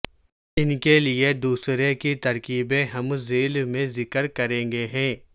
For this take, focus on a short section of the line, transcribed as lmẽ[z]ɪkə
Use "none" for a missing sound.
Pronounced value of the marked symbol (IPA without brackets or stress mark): z